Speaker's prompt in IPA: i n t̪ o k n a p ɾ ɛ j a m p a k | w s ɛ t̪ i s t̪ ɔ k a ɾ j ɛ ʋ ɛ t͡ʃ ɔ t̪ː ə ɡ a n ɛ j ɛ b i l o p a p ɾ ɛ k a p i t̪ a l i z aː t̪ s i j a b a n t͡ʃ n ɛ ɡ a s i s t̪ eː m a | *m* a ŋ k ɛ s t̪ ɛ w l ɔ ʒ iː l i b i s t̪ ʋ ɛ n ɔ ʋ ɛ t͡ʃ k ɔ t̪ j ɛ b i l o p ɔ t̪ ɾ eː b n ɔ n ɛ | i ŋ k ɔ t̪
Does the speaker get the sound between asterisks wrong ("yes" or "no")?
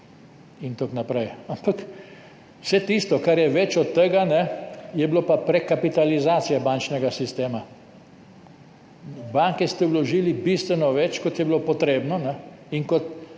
yes